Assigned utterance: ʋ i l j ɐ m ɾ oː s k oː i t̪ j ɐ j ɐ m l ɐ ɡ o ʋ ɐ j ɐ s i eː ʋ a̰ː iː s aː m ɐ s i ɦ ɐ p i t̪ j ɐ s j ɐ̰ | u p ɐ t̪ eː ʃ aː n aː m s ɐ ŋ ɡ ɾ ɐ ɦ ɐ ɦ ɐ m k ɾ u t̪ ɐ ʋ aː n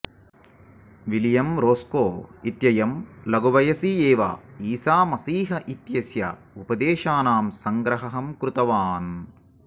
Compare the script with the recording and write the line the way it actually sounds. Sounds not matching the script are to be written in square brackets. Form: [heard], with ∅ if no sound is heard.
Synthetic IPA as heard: ʋ i l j ɐ m ɾ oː s k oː i t̪ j ɐ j ɐ m l ɐ ɡ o ʋ ɐ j ɐ s i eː ʋ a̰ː iː s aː m ɐ s [iː] ɦ ɐ [ʔ] i t̪ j ɐ s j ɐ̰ | u p ɐ [d̪] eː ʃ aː n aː m s ɐ ŋ ɡ ɾ ɐ ɦ ɐ ɦ ɐ m k ɾ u t̪ ɐ ʋ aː n